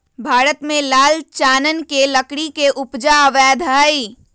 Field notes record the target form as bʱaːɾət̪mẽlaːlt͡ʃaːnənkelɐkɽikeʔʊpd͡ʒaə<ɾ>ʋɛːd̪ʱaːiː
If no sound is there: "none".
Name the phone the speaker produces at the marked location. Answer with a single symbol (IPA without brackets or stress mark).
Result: none